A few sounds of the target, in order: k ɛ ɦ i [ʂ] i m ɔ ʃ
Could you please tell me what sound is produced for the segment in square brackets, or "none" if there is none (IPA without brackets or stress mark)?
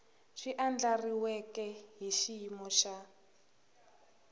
ʃ